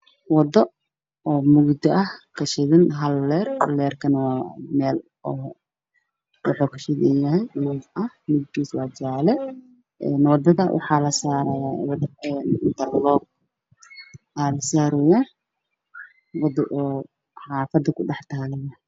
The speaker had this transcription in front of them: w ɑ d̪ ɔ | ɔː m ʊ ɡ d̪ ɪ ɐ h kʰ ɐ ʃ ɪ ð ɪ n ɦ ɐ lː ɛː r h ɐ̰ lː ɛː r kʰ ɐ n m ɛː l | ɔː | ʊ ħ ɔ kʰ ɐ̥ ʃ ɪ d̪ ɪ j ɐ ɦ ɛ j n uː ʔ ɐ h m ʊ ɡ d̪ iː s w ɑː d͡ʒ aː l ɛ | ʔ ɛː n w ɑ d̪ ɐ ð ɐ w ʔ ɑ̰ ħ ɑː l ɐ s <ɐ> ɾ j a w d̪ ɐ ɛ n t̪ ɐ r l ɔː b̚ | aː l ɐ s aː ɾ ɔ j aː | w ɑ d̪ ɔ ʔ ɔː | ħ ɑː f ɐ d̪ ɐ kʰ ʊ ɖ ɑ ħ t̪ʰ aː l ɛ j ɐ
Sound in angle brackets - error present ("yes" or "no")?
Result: yes